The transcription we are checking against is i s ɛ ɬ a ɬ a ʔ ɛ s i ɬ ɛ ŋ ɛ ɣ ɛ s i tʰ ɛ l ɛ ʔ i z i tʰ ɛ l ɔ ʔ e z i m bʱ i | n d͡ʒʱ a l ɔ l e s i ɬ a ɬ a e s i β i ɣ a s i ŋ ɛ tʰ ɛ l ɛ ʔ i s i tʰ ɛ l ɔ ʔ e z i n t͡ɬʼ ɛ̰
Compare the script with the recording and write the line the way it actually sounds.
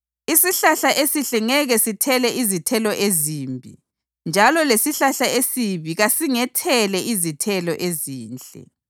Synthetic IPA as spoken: i s i ɬ a ɬ a ʔ e s i ɬ ɛ ŋ ɛ ɣ ɛ s i tʰ ɛ l ɛ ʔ i z i tʰ ɛ l ɔ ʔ e z i m bʱ i | n d͡ʒʱ a l ɔ l e s i ɬ a ɬ a e s i β i ɣ a s i ŋ ɛ tʰ ɛ l ɛ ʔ i z i tʰ ɛ l ɔ ʔ e z iː n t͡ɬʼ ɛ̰